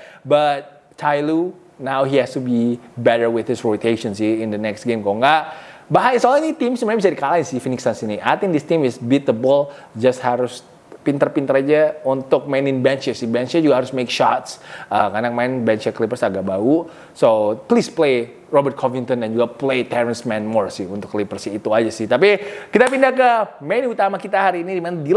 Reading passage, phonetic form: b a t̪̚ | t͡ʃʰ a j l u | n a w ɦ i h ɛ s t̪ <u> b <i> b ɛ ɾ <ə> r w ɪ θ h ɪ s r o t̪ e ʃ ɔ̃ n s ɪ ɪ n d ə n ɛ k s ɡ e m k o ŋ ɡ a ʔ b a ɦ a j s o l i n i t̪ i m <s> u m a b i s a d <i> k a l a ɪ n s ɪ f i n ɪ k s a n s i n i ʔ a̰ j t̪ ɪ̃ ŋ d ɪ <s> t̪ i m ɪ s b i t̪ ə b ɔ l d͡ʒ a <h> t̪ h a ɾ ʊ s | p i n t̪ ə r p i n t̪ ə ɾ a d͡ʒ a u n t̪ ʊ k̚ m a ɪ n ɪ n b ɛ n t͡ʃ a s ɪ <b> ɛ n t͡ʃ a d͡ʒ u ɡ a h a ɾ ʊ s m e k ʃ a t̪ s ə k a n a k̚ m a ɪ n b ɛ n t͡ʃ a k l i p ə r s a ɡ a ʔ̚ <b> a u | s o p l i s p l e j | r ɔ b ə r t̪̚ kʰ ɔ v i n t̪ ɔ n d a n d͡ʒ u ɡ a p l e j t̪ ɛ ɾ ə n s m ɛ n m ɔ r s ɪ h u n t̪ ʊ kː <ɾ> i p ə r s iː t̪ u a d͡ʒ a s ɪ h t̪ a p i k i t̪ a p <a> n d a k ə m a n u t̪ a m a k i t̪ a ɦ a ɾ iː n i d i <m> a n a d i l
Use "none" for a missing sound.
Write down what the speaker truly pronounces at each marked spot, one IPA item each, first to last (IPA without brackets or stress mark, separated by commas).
u, i, ə, s, i, s, s, b, b, l, i, m